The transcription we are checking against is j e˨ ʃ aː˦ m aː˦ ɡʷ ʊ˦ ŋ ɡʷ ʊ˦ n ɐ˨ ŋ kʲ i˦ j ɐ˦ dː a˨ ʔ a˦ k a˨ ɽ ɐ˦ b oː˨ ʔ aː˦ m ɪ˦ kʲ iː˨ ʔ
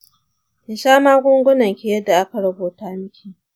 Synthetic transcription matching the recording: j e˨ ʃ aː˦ m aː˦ ɡʷ ʊ˦ ŋ ɡʷ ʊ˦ n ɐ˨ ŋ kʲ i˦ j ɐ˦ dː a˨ ʔ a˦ k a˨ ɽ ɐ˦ b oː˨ t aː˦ m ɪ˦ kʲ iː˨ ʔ